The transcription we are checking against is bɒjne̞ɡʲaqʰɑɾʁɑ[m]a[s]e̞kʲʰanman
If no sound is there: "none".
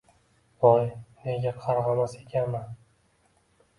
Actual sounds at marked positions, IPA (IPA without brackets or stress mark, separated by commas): m, s